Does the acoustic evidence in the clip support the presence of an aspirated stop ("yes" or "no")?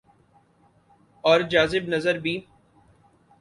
no